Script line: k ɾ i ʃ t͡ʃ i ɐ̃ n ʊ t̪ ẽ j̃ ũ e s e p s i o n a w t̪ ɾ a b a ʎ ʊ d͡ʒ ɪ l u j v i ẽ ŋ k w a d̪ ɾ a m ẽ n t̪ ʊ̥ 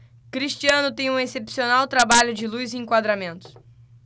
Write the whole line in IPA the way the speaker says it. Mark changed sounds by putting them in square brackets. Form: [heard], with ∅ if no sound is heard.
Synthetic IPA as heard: k ɾ i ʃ t͡ʃ i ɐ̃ n ʊ t̪ ẽ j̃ ũ e s e p s i o n a w t̪ ɾ a b a ʎ ʊ d͡ʒ ɪ l u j [z] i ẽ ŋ k w a d̪ ɾ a m ẽ n t̪ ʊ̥